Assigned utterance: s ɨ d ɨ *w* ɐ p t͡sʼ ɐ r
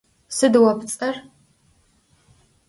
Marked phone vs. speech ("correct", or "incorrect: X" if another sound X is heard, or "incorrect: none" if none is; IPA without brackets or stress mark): correct